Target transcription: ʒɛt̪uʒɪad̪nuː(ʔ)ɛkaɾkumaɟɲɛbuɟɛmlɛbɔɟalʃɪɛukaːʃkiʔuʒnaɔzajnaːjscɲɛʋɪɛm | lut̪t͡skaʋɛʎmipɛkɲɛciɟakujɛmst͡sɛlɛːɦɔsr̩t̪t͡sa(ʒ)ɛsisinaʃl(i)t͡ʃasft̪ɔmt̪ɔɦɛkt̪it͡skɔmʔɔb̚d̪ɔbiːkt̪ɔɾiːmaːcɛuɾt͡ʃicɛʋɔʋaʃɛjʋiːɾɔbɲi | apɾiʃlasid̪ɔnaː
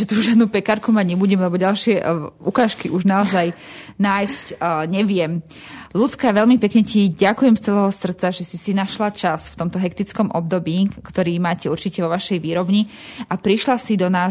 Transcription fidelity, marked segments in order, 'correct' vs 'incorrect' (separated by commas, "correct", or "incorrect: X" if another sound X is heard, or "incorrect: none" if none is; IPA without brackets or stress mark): incorrect: p, correct, incorrect: a